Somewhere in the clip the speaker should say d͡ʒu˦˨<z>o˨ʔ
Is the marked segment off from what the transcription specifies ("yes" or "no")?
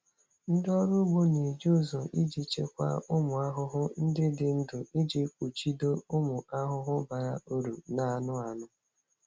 no